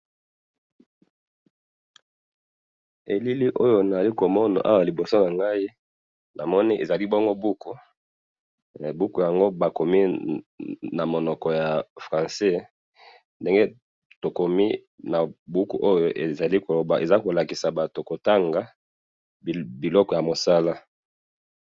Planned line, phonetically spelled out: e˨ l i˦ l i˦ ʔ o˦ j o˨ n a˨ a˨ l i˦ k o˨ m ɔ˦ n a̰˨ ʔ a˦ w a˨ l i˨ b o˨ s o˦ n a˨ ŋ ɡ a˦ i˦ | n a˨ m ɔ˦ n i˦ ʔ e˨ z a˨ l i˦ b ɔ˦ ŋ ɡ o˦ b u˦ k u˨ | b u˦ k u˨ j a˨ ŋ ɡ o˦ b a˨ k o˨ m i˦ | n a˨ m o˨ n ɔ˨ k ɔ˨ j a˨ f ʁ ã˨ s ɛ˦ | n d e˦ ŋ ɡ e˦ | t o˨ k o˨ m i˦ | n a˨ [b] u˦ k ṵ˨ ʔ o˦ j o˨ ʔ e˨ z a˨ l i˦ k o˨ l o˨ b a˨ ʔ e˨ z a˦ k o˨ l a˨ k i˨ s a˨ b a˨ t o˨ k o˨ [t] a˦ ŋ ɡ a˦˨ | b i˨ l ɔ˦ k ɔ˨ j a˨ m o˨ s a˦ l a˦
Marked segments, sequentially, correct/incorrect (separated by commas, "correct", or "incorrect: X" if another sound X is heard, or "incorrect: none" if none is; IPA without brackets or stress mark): correct, correct